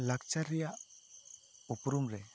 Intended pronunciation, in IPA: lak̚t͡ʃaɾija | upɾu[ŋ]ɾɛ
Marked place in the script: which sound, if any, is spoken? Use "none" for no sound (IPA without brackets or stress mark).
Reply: m